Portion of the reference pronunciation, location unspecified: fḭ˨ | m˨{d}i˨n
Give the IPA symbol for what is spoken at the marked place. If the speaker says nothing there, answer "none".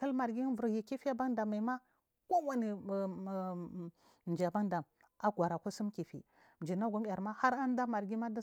d͡ʒ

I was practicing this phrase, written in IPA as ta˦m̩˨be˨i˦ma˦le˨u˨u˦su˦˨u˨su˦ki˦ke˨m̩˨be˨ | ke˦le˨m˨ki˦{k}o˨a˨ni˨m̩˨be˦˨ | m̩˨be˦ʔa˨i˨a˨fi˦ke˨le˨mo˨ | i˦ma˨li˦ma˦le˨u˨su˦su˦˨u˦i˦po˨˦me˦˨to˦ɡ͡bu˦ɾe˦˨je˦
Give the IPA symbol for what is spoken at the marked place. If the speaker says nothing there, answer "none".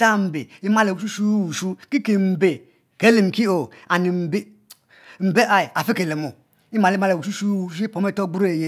none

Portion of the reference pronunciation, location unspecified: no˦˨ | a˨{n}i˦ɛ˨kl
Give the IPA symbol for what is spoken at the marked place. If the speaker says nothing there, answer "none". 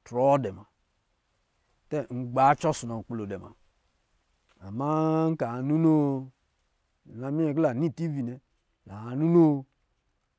m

